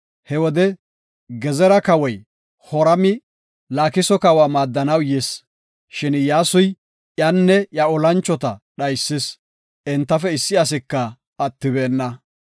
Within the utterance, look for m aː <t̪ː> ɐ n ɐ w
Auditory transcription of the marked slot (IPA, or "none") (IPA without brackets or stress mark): d̪ː